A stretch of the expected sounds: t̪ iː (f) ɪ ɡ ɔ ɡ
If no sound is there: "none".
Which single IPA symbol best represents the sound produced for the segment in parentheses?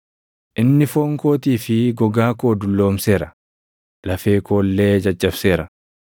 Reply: f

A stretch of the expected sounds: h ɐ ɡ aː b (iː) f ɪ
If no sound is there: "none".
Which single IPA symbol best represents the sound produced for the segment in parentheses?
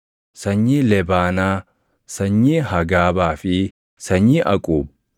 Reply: aː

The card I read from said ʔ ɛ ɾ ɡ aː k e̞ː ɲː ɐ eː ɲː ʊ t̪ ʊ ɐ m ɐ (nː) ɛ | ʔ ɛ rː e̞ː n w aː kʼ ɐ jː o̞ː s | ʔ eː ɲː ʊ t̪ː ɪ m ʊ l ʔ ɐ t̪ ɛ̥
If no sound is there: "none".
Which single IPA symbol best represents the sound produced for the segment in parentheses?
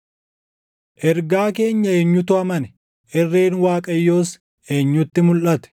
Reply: n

